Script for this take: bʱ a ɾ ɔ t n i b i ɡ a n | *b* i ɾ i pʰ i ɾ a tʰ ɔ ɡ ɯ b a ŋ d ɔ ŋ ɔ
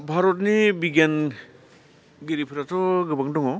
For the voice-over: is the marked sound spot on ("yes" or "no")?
no